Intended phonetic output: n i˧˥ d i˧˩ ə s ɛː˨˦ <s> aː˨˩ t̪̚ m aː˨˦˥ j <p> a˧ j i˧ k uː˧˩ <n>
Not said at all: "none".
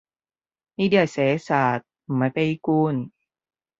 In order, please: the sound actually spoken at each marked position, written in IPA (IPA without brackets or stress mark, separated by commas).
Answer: s, p, n